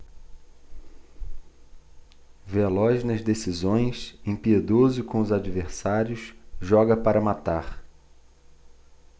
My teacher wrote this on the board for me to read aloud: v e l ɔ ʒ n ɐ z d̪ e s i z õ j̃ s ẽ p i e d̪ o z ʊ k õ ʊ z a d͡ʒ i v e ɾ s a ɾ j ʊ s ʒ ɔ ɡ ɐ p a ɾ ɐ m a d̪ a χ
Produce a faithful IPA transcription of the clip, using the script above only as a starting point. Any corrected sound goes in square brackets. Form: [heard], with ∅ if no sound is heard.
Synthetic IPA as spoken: v e l ɔ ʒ n ɐ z d̪ e s i z õ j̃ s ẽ p i e d̪ o z ʊ k õ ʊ z a d͡ʒ i v e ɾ s a ɾ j ʊ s ʒ ɔ ɡ ɐ p a ɾ ɐ m a [t̪] a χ